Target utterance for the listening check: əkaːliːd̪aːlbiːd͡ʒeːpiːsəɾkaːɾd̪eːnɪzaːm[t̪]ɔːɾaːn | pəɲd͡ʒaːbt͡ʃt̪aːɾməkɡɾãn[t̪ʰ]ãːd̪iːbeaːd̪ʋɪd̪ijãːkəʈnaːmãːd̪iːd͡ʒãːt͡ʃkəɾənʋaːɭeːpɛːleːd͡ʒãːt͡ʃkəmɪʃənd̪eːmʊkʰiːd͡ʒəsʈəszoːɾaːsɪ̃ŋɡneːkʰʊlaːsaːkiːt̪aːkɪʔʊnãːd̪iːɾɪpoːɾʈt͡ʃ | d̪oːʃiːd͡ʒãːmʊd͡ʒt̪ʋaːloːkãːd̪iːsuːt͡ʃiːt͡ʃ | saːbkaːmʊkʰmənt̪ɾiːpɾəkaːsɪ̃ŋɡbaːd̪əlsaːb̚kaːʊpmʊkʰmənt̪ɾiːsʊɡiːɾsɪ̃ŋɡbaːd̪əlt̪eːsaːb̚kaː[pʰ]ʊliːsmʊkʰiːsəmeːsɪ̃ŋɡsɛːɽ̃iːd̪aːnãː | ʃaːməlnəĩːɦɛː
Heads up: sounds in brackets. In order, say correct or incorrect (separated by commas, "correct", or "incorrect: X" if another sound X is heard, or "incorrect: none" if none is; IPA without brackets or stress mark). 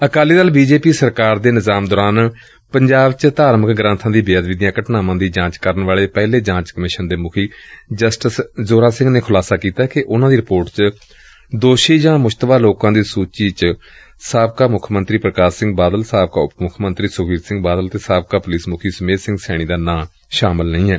incorrect: d̪, correct, incorrect: p